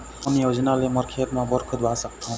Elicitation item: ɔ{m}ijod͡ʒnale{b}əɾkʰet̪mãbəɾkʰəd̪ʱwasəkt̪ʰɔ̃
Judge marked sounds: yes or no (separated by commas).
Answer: no, no